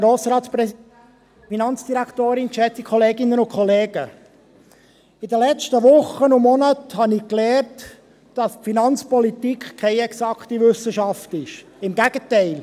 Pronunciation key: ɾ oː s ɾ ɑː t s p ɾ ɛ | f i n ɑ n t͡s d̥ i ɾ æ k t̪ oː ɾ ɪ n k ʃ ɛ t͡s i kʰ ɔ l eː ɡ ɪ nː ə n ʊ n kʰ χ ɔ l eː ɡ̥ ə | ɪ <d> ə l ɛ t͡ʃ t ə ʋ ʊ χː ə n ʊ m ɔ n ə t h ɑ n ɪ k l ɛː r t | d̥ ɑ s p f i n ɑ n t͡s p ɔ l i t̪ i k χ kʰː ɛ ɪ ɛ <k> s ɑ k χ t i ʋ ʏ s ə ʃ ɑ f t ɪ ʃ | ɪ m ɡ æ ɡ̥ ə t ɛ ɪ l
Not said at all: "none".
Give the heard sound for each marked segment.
d, k

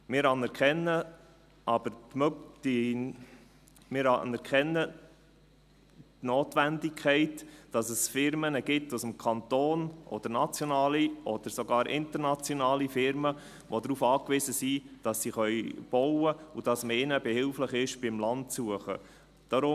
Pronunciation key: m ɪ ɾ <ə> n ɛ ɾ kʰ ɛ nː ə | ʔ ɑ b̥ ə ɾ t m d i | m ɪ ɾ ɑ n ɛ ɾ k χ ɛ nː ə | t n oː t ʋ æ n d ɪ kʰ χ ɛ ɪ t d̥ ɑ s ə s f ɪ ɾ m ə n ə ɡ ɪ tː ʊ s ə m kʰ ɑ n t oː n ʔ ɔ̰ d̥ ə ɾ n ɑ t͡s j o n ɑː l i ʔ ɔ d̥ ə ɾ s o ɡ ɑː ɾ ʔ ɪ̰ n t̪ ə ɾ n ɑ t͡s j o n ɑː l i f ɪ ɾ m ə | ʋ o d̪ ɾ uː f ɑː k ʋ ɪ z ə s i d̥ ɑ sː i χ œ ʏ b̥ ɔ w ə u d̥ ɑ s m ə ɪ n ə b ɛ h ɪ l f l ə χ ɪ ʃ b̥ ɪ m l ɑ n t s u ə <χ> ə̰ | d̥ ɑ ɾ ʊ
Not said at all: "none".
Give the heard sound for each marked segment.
ɑ, χ

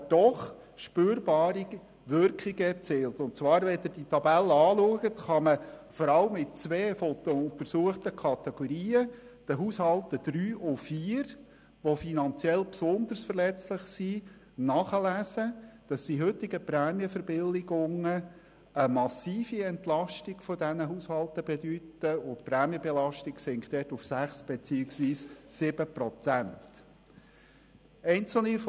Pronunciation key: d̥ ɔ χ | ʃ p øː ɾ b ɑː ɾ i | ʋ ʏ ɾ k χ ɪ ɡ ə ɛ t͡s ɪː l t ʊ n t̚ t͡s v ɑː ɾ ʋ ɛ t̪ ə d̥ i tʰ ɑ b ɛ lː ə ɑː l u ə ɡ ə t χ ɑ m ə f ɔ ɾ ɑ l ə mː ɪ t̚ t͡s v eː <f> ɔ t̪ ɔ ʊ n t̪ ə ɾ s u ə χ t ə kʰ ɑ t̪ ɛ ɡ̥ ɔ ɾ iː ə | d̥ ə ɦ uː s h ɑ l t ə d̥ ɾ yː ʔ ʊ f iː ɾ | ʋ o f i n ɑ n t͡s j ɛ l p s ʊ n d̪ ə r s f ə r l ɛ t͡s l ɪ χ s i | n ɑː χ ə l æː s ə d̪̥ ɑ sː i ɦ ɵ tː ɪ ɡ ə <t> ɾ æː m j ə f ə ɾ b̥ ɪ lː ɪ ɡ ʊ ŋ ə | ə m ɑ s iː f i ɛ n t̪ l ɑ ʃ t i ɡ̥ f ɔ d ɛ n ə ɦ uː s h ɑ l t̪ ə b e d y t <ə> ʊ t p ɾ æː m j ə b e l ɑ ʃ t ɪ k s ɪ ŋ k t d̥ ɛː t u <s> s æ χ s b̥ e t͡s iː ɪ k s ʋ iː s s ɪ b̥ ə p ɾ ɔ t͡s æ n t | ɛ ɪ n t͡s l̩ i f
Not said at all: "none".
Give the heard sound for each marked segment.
f, p, ə, f

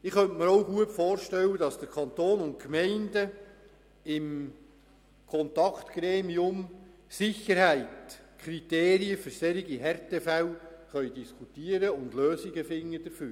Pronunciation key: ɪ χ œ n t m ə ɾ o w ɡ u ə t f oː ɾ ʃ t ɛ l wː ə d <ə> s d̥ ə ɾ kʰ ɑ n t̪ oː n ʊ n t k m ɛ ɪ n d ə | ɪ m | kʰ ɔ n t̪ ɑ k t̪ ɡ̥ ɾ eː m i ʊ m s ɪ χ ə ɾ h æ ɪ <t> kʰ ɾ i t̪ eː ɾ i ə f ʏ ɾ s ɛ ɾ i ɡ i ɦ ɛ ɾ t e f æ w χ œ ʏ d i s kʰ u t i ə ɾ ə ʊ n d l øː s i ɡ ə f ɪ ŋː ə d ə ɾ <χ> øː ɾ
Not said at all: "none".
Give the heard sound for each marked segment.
ɑ, t, f

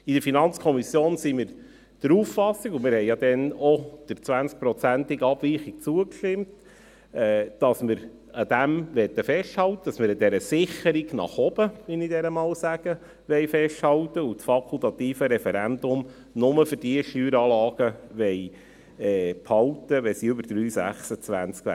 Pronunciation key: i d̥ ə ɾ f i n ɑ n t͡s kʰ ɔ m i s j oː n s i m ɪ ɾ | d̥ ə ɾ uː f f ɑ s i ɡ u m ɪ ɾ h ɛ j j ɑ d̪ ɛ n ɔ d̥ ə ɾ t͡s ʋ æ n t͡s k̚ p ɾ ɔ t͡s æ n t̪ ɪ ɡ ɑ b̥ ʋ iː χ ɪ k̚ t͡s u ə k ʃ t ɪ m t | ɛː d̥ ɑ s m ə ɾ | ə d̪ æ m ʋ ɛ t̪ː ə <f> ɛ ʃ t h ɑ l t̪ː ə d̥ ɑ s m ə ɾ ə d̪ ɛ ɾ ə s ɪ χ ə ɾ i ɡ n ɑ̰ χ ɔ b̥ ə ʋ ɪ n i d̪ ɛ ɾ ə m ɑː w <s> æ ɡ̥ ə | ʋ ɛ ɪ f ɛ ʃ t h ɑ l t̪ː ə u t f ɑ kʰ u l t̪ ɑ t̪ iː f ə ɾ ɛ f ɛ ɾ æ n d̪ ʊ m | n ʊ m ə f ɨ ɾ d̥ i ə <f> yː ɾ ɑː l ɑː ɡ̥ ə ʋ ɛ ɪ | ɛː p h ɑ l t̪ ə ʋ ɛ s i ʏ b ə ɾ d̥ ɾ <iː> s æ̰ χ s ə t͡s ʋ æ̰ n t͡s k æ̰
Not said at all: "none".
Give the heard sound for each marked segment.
f, s, ʃ, yː

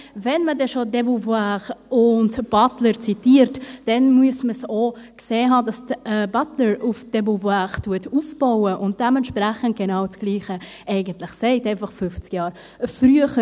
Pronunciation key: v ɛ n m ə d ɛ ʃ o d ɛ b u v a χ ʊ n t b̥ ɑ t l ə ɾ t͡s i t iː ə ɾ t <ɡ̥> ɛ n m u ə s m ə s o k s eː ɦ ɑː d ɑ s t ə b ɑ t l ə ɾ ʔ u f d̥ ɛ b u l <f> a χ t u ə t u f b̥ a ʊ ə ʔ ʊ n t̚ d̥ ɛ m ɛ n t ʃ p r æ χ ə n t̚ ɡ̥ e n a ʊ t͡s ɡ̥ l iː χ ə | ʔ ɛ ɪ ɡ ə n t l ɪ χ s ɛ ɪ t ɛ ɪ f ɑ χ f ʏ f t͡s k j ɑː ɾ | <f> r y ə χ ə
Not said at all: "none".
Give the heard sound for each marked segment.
d̥, v, f

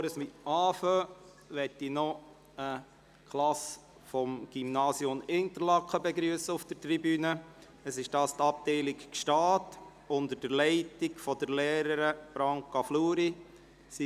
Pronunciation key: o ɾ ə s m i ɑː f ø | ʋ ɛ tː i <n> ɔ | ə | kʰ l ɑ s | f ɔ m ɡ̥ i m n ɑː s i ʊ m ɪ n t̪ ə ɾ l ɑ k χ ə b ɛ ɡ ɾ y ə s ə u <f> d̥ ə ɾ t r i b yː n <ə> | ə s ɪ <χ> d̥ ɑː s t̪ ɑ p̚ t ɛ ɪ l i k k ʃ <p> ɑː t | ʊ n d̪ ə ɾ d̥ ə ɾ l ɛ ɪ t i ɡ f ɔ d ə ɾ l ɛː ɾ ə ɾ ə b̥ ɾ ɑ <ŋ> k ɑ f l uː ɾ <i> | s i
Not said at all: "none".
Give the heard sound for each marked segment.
n, f, ə, ʃ, t, ŋ, i

